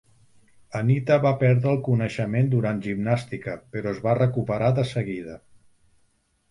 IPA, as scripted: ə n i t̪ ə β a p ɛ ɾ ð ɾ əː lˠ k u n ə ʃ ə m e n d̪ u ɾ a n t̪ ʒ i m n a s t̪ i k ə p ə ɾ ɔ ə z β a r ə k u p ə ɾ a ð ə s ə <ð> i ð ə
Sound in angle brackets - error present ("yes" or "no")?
yes